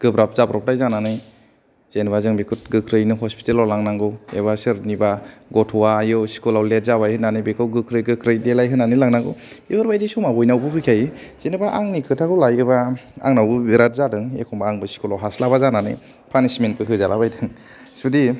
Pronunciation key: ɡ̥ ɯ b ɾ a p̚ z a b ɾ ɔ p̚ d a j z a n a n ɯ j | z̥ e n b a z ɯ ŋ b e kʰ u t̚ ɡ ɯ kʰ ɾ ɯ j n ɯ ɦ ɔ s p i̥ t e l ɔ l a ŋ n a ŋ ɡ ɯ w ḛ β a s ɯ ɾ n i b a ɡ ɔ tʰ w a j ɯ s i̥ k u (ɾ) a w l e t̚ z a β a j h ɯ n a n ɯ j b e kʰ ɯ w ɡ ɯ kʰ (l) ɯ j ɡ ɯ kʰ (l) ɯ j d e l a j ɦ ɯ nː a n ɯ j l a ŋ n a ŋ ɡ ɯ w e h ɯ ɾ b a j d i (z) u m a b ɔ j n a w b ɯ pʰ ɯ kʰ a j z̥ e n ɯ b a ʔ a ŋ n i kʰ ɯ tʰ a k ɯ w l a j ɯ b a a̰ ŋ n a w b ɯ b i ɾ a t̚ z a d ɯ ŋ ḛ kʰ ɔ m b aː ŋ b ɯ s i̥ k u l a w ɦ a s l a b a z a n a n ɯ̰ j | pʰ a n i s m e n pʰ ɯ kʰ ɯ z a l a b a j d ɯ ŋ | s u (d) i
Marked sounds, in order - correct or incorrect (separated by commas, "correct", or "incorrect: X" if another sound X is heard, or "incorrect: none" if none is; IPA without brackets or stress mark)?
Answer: incorrect: l, incorrect: ɾ, incorrect: ɾ, incorrect: s, correct